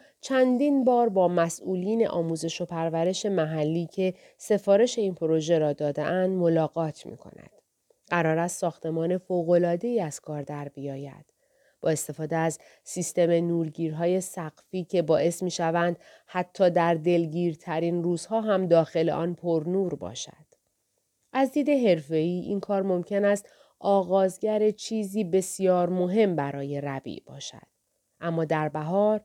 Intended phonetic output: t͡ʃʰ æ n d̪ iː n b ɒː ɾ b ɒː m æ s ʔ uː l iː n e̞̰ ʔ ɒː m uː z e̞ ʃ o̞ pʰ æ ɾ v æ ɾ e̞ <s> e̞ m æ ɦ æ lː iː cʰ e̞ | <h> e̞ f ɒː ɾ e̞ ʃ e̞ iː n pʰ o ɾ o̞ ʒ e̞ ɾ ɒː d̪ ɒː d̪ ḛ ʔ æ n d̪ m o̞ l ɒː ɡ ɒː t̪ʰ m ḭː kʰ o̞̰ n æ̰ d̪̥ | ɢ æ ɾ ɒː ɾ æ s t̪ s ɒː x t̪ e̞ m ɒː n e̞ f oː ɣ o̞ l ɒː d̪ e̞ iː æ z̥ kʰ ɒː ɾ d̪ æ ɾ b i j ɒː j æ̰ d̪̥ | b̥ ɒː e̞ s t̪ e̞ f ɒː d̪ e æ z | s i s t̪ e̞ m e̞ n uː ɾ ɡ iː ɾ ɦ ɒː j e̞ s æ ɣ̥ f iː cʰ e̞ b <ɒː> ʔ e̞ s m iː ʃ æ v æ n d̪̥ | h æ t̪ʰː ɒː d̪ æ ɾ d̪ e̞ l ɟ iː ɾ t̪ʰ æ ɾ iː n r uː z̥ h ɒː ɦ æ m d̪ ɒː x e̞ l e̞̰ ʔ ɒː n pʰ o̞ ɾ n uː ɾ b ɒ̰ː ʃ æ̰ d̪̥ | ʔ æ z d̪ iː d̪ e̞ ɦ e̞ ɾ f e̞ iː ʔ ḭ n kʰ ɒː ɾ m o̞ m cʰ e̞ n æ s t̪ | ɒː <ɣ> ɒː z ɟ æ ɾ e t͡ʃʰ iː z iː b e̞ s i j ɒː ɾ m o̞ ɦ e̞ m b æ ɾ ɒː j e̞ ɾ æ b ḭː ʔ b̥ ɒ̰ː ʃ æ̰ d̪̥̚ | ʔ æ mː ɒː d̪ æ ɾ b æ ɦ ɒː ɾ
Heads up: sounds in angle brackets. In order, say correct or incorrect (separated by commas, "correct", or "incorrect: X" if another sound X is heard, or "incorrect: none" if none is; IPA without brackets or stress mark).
incorrect: ʃ, incorrect: s, correct, correct